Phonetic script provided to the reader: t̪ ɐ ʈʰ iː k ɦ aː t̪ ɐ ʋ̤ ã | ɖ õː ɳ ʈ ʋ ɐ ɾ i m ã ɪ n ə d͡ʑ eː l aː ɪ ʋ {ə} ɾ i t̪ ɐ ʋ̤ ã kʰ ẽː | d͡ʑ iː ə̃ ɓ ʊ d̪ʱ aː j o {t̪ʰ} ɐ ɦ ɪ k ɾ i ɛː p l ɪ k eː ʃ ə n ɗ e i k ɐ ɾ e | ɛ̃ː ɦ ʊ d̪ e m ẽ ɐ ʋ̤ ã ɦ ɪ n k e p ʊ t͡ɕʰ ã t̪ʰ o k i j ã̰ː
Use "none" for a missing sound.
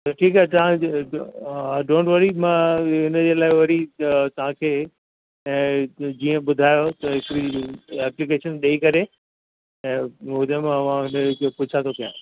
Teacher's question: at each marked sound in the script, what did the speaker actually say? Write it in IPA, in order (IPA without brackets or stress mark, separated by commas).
ɐ, t̪